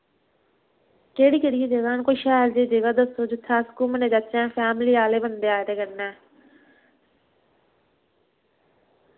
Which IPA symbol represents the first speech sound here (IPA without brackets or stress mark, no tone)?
k